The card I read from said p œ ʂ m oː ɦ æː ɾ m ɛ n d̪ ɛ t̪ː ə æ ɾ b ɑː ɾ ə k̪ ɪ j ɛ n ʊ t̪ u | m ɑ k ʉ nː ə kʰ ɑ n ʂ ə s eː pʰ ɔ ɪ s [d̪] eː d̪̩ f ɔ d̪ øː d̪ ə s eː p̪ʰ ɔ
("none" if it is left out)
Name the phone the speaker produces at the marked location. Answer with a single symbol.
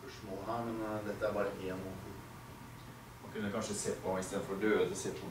t̪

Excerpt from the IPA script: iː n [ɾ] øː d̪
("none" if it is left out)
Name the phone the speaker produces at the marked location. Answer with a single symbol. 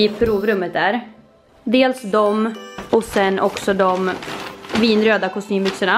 ɾ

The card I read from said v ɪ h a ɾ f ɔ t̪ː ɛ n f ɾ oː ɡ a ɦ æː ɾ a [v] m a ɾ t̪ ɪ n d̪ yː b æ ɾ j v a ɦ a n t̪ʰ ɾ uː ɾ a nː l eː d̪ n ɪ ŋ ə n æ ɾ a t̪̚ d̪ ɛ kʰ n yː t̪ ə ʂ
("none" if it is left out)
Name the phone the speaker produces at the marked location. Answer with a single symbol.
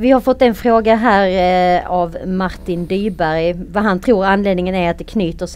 v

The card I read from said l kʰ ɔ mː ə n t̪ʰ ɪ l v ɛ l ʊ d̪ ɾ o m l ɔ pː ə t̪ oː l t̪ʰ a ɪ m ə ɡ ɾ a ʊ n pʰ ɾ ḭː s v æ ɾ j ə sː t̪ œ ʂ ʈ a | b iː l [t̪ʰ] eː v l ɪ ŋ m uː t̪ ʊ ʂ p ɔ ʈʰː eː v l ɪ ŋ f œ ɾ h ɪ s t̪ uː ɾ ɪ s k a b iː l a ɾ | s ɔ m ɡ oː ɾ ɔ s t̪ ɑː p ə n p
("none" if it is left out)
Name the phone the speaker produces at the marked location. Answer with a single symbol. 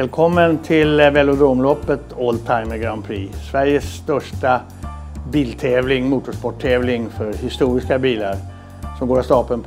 t̪ʰ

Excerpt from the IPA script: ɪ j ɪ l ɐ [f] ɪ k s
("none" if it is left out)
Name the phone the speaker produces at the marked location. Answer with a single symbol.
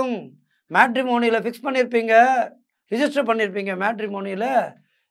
f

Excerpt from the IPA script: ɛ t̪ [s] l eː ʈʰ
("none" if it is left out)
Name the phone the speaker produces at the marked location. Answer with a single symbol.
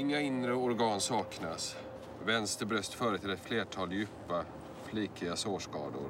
f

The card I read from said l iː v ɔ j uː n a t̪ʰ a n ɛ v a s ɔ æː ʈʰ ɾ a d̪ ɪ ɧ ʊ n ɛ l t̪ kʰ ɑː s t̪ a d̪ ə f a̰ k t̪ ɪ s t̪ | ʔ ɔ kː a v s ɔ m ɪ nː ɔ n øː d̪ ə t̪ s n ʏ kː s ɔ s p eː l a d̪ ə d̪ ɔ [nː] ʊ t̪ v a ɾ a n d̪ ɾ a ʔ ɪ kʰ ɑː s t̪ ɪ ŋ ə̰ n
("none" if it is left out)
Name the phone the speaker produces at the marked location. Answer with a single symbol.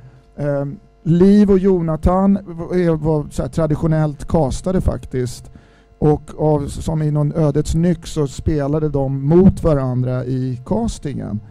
mː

